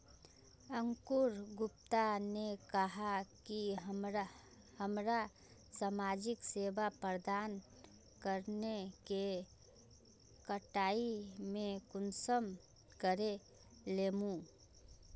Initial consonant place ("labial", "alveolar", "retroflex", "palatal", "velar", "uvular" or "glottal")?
velar